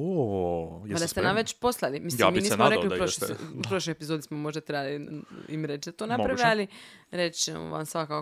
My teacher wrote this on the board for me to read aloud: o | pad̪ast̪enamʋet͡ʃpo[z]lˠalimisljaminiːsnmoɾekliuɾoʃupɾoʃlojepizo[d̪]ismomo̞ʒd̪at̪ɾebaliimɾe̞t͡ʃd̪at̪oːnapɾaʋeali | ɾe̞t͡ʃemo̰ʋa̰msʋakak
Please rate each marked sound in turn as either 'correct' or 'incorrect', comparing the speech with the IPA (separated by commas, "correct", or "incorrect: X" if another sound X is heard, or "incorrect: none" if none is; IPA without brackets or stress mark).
incorrect: s, correct